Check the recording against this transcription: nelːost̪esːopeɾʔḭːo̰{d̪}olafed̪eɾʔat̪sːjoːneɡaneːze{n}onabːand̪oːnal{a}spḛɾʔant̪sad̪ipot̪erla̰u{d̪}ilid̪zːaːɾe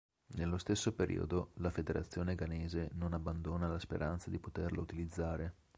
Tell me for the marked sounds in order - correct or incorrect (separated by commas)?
correct, correct, correct, incorrect